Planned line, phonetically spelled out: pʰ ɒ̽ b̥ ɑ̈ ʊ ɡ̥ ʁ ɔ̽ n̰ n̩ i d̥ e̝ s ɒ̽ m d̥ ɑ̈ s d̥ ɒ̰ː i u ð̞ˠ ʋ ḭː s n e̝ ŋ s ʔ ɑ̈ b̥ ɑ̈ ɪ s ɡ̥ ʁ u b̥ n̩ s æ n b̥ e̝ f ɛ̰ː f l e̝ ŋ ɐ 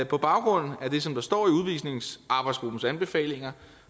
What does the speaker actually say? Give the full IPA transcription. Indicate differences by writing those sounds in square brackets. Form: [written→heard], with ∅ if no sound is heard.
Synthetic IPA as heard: pʰ ɒ̽ b̥ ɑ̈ ʊ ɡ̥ ʁ ɔ̽ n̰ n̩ [i→æ] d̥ e̝ s ɒ̽ m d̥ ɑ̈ s d̥ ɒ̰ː i u ð̞ˠ ʋ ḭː s n e̝ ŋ s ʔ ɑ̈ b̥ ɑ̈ ɪ s ɡ̥ ʁ u b̥ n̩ s æ n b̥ e̝ f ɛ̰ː [f→∅] l e̝ ŋ ɐ

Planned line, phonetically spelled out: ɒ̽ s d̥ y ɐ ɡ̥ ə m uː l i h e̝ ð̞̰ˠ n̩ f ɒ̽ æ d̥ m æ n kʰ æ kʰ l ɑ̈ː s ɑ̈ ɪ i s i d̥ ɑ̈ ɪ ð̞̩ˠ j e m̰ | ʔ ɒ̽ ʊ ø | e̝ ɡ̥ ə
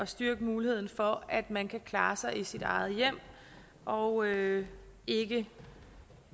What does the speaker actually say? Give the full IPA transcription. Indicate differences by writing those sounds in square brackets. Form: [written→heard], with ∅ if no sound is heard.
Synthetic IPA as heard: ɒ̽ s d̥ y ɐ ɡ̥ ə m uː l i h e̝ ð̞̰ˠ n̩ f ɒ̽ æ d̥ m æ n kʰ æ kʰ l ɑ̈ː s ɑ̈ ɪ i s i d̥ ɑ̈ ɪ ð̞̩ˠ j e m̰ | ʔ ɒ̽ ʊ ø | e̝ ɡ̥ ə

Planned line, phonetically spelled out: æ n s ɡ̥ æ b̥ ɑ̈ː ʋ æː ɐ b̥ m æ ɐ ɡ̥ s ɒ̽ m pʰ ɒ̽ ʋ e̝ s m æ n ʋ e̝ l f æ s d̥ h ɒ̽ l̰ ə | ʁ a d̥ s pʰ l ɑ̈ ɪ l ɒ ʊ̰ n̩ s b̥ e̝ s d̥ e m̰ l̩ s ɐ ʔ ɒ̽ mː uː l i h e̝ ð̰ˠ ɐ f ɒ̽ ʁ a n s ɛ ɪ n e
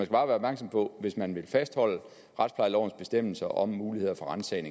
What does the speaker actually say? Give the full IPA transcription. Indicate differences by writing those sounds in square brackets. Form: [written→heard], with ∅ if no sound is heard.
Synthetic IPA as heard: æ n s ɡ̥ æ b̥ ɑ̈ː ʋ æː ɐ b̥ m æ ɐ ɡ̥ s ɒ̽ m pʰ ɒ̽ ʋ e̝ s m æ n ʋ e̝ l f æ s d̥ h ɒ̽ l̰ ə | ʁ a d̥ s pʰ l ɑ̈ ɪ l ɒ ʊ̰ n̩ s b̥ e̝ s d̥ e m̰ l̩ s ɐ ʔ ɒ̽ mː uː l i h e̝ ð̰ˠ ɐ f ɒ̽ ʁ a n s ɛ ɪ n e

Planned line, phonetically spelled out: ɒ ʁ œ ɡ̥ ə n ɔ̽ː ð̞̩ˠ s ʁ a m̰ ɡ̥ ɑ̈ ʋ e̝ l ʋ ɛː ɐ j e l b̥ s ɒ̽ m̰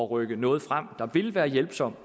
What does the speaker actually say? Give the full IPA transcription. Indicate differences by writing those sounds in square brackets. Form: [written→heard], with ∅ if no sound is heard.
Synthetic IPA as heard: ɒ ʁ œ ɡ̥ ə n ɔ̽ː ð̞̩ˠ [s→f] ʁ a m̰ [ɡ̥→d̥] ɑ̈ ʋ e̝ l ʋ [ɛː→æː] ɐ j e l b̥ s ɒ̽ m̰

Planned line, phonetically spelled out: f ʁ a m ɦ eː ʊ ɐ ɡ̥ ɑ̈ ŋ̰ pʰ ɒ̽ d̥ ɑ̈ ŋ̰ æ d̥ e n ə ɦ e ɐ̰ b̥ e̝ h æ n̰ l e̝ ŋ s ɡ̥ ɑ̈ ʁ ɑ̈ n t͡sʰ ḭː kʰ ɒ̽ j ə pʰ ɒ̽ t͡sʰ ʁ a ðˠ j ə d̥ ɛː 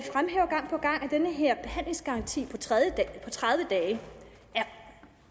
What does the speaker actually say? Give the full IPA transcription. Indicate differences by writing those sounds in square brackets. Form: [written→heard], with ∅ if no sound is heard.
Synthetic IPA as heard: f ʁ a m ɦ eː ʊ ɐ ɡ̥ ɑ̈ ŋ̰ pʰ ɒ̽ [d̥→ɡ̥] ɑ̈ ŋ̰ æ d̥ e n ə ɦ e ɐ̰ b̥ e̝ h æ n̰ l e̝ ŋ s ɡ̥ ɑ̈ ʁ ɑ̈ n t͡sʰ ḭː [kʰ→pʰ] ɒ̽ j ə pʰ ɒ̽ t͡sʰ ʁ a ðˠ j ə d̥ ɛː

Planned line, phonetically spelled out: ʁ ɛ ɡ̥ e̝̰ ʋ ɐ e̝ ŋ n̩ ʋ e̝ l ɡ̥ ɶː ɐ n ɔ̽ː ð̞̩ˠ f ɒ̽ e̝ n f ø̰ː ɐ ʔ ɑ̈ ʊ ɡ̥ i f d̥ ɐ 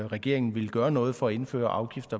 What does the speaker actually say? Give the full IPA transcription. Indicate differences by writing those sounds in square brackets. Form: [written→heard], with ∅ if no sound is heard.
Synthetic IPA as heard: ʁ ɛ ɡ̥ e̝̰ [ʋ→∅] ɐ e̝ ŋ n̩ ʋ e̝ l ɡ̥ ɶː ɐ n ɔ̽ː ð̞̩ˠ f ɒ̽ e̝ n f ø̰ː ɐ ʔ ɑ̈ ʊ ɡ̥ i f d̥ ɐ

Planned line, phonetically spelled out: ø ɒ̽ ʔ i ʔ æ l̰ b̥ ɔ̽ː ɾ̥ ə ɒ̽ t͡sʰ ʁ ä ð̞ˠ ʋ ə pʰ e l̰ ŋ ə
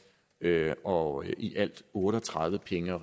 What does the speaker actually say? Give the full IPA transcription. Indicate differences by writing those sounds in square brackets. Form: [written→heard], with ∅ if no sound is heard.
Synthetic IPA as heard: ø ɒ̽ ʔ i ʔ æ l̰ [b̥→d̥] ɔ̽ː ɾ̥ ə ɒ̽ t͡sʰ ʁ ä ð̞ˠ ʋ ə pʰ e [l̰→∅] ŋ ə

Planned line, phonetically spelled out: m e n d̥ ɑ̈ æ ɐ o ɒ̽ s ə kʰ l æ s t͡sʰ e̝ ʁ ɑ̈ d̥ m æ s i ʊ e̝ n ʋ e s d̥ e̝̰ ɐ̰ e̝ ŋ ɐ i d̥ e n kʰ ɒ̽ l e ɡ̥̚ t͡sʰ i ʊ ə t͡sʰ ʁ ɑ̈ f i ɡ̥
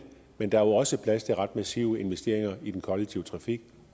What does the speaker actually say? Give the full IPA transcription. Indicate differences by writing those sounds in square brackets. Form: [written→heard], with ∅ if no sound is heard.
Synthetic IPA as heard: m e n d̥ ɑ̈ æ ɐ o ɒ̽ s ə [kʰ→pʰ] l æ s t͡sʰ e̝ ʁ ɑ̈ d̥ m æ s i ʊ e̝ n ʋ e s d̥ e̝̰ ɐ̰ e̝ ŋ ɐ i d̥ e n kʰ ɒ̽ l e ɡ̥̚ t͡sʰ i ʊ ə t͡sʰ ʁ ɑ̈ f i ɡ̥

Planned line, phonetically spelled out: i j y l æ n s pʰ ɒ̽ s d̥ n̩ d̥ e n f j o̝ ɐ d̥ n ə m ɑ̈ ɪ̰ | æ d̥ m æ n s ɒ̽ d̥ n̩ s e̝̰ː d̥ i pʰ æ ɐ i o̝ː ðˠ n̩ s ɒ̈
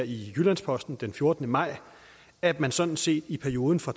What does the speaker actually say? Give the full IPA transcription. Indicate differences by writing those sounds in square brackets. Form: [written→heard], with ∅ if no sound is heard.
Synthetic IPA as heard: i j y l æ n s pʰ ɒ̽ s d̥ n̩ d̥ e n f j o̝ ɐ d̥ n ə m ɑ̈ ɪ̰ | æ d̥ m æ n s ɒ̽ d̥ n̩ s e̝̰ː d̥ i pʰ æ ɐ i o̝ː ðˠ n̩ [s→f] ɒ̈

